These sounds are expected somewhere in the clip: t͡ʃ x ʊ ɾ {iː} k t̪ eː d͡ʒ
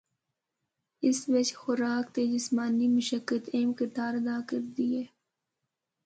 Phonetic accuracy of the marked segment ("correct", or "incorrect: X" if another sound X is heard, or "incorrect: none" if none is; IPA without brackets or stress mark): incorrect: aː